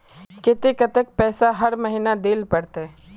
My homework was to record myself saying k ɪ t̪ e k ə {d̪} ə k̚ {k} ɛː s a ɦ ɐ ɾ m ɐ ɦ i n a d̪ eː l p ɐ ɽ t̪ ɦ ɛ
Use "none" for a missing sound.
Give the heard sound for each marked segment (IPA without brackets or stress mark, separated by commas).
t̪, p